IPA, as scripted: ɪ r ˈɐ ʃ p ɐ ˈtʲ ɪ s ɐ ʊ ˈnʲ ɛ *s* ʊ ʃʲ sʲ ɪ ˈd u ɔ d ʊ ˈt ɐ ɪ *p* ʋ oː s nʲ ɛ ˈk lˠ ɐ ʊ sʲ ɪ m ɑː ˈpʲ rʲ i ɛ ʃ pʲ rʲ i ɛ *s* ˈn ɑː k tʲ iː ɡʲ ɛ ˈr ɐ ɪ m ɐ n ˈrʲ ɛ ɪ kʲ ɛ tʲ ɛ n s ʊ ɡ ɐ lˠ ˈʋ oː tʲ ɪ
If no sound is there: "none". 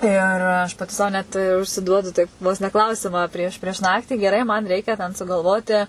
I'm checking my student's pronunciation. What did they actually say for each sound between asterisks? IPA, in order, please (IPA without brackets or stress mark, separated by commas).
t, p, ʃ